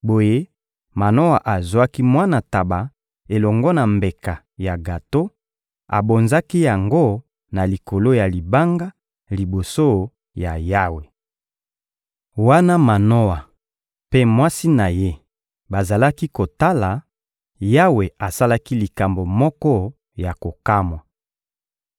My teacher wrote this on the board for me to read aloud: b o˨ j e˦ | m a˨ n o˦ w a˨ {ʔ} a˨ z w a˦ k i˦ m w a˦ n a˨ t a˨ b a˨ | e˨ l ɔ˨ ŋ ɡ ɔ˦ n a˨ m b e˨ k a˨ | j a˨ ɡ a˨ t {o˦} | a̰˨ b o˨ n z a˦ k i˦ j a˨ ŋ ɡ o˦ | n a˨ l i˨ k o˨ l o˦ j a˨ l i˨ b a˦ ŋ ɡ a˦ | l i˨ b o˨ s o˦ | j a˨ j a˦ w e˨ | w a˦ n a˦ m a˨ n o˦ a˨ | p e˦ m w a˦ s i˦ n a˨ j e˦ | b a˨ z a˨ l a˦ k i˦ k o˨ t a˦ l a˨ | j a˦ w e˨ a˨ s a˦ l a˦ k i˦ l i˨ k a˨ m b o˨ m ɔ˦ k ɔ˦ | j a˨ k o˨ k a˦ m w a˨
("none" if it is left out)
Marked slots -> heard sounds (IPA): ʔ, o˦

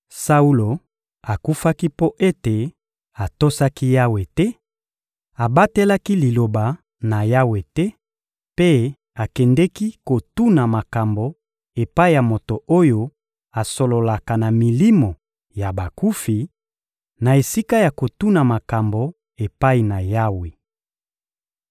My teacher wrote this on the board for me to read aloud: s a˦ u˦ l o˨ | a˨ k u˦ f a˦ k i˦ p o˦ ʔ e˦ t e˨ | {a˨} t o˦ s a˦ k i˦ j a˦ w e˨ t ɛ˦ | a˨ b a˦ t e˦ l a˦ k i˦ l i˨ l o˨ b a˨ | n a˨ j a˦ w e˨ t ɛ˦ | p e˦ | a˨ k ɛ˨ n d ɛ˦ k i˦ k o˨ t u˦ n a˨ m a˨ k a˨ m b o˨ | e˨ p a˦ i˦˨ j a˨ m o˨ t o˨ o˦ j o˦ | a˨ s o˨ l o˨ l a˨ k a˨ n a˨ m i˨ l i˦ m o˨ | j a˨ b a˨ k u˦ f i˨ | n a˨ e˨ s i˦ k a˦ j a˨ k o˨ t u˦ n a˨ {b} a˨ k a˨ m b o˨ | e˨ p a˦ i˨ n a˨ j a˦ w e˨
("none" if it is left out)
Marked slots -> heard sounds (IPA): a˨, m

